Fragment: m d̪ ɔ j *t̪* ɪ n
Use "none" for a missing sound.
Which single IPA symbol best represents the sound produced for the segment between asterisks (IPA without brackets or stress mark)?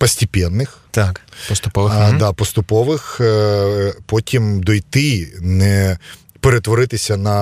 t̪